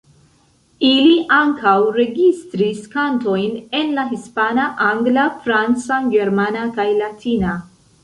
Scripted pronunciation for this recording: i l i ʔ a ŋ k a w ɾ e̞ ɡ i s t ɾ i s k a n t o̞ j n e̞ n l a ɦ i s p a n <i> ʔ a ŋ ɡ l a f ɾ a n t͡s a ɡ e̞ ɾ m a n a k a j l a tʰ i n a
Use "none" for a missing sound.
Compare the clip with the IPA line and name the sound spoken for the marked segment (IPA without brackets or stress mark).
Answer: a